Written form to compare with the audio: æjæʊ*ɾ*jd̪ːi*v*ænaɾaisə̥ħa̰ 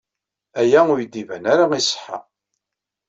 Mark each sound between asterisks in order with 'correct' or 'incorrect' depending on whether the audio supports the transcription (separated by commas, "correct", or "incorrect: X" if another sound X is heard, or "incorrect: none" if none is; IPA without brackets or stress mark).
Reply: incorrect: none, correct